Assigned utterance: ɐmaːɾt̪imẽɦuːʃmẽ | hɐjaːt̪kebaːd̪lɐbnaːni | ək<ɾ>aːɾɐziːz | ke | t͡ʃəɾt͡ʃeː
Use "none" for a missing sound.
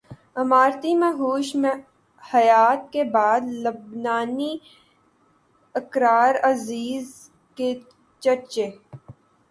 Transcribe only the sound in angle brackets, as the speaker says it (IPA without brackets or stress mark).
ɾ